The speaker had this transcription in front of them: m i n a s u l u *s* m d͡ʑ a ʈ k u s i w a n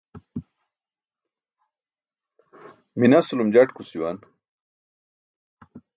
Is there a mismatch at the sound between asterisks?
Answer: yes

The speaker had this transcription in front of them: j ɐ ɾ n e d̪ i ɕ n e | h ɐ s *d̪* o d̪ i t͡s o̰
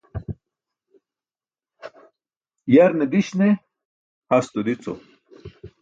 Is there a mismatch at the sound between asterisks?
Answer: yes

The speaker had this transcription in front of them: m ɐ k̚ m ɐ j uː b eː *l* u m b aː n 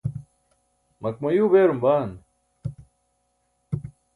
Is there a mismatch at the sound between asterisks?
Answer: yes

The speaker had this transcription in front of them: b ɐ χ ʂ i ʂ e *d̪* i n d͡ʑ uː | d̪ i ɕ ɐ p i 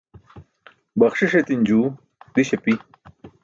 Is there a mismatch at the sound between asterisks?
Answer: yes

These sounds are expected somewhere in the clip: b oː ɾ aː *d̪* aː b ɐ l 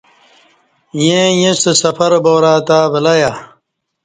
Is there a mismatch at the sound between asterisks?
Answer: yes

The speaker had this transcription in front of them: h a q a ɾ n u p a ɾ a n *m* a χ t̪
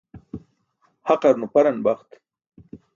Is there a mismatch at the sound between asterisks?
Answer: yes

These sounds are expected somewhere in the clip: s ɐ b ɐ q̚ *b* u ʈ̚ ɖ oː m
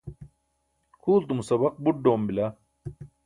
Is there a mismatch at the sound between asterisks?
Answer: no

